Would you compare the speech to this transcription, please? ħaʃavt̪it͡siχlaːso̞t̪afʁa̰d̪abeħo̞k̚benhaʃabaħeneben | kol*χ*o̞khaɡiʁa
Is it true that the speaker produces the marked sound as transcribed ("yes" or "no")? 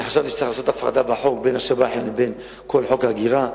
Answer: no